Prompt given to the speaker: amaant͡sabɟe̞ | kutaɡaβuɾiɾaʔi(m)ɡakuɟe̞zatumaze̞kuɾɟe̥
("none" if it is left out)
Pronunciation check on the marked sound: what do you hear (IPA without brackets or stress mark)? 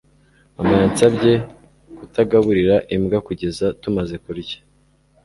m